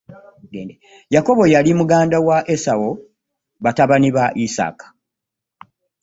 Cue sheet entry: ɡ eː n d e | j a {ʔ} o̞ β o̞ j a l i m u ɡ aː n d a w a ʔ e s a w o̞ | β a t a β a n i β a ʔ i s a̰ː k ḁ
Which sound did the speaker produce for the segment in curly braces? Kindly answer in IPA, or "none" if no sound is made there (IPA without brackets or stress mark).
k